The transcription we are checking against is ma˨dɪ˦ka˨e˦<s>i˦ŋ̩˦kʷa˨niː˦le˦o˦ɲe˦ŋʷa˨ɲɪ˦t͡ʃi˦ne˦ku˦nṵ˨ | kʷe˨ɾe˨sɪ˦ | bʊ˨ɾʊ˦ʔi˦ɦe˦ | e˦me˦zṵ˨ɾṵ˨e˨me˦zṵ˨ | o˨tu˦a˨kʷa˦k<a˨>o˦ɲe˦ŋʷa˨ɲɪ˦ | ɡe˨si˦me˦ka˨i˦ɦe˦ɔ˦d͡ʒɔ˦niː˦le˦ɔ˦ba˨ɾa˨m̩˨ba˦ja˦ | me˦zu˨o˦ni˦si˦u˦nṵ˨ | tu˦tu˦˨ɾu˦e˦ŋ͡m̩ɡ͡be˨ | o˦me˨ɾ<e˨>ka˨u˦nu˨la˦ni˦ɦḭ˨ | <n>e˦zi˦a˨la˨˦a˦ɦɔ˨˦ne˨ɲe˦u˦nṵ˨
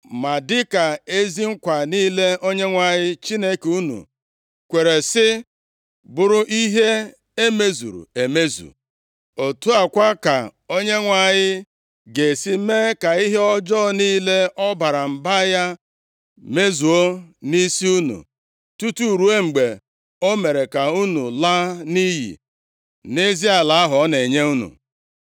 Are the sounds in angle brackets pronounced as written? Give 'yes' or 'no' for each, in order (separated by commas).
no, yes, yes, yes